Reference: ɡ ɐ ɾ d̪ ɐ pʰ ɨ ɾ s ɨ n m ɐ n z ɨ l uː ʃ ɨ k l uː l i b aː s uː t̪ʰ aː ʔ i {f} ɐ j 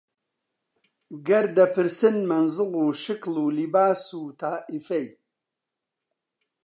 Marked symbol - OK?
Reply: yes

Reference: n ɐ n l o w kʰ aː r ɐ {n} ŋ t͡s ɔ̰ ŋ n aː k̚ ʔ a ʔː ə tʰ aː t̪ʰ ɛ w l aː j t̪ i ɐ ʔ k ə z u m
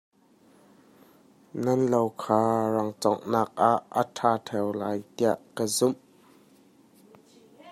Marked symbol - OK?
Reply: no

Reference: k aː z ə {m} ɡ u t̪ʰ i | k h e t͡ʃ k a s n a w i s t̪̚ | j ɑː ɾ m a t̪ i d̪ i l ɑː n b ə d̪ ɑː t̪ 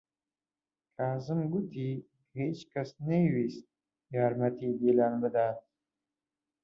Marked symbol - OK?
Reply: yes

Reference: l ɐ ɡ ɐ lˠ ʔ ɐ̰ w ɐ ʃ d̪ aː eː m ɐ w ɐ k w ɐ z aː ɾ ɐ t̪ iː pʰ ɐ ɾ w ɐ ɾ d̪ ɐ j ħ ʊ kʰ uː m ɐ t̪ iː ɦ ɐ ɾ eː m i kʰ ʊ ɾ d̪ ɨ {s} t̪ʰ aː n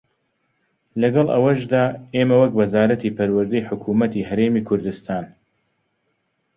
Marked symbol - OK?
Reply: yes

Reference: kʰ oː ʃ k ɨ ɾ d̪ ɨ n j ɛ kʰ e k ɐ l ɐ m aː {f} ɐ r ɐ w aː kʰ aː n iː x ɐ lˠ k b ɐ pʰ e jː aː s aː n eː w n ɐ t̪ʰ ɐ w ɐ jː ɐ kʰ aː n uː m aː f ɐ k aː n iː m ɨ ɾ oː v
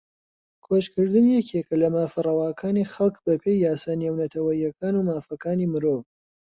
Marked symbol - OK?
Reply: yes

